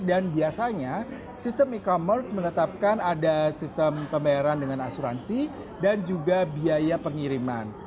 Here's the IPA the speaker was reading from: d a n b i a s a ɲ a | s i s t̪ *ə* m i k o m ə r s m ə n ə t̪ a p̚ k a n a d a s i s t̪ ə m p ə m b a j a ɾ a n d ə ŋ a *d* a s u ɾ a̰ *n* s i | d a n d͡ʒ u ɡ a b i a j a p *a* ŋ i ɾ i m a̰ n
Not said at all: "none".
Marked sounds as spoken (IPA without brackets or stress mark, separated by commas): ə, n, n, ə